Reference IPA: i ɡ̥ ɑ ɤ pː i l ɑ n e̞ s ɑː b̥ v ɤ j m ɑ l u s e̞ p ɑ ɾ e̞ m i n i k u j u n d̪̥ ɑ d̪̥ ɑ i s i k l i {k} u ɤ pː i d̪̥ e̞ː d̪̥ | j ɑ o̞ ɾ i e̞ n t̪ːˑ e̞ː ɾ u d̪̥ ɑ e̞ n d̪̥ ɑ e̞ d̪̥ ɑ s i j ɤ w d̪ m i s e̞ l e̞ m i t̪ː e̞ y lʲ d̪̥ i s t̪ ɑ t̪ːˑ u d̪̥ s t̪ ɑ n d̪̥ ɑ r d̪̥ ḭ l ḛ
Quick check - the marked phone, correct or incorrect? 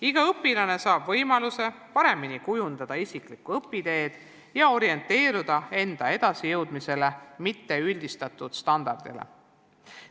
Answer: correct